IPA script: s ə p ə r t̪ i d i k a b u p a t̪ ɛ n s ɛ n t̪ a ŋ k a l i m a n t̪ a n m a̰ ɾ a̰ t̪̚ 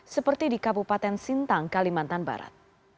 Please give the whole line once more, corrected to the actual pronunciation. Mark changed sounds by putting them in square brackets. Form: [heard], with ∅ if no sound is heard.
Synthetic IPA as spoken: s ə p ə r t̪ i d i k a b u p a t̪ ɛ n s [i] n t̪ a ŋ k a l i m a n t̪ a n [b] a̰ ɾ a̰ t̪̚